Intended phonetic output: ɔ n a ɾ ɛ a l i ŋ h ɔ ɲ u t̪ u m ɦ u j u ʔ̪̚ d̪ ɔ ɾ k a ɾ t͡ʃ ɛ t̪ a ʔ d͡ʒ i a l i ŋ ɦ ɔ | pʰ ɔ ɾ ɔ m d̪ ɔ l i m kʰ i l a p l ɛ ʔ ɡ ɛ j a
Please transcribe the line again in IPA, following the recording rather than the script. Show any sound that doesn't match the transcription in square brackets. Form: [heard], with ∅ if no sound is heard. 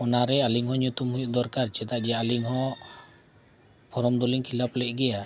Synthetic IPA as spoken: ɔ n a ɾ ɛ a l i ŋ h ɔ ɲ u t̪ u m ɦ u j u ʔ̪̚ d̪ ɔ ɾ k a ɾ t͡ʃ ɛ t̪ a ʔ d͡ʒ [ɛ] a l i ŋ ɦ ɔ | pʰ ɔ ɾ ɔ m d̪ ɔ l i [ŋ] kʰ i l a p l ɛ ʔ ɡ ɛ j a